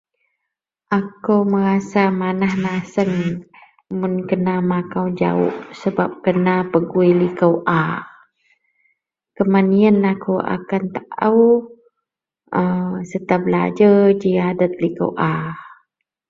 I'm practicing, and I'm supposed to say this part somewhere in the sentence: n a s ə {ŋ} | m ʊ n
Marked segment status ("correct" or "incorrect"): correct